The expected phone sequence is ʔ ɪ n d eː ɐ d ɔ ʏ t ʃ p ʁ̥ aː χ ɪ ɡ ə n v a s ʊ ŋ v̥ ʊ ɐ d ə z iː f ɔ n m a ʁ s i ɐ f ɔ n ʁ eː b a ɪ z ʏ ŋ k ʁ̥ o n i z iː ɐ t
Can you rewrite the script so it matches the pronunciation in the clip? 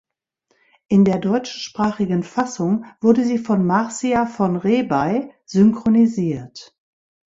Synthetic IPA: ʔ ɪ n d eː ɐ d ɔ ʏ t͡ʃ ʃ p ʁ̥ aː χ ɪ ɡ ə n f a s ʊ ŋ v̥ ʊ ɐ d ə z iː f ɔ n m a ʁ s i a f ɔ n ʁ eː b a ɪ z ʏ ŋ k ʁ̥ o n i z iː ɐ t